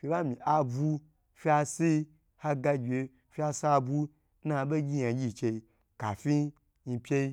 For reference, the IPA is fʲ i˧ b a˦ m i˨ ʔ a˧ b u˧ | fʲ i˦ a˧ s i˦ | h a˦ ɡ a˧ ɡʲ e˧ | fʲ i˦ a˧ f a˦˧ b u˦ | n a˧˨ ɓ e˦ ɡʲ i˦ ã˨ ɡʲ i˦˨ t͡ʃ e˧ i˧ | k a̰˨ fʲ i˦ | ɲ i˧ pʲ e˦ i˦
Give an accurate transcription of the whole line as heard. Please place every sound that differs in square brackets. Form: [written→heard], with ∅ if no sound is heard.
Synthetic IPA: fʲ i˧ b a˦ m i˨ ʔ a˧ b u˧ | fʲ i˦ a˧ s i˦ | h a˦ ɡ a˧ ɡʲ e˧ | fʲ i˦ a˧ [f→s] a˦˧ b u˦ | n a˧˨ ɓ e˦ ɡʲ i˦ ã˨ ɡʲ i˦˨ t͡ʃ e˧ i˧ | k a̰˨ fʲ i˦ | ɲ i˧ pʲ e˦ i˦